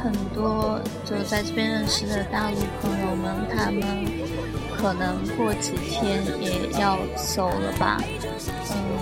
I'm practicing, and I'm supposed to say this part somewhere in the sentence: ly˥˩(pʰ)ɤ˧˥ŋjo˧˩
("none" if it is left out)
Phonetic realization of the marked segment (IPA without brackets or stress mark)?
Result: pʰ